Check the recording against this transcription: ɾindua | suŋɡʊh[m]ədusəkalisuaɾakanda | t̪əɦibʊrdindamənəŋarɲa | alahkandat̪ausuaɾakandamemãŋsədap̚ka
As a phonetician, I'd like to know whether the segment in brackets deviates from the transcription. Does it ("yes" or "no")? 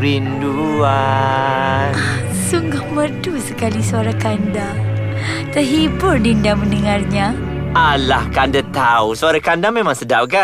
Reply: no